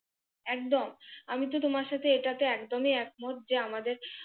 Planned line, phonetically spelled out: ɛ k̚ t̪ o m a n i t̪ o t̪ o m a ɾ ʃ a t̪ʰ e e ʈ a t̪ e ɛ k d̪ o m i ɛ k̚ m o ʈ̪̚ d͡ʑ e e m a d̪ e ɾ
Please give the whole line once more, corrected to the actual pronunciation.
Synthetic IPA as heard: ɛ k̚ d̪ o m a m i t̪ o t̪ o m a ɾ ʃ a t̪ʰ e e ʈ a t̪ e ɛ k d̪ o m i ɛ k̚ m o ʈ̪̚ d͡ʑ e a m a d̪ e ɾ